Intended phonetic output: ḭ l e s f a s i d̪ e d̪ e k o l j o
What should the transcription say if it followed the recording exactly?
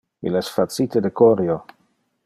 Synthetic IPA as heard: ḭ l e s f a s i t̪ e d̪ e k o ɾ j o